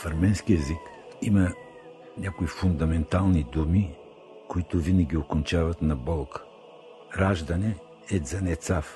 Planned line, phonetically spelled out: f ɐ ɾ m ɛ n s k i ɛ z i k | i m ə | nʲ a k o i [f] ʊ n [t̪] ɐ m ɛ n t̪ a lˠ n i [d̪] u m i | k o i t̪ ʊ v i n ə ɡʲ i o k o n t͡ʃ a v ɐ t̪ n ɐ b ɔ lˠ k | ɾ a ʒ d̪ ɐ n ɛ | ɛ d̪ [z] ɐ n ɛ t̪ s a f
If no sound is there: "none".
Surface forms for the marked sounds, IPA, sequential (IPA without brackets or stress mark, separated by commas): f, d̪, d̪, z